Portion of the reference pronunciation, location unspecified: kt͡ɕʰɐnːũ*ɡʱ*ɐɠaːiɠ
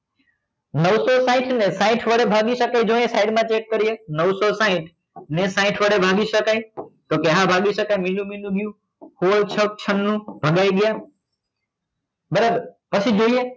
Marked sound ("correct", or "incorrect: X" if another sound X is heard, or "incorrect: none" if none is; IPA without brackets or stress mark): incorrect: bʱ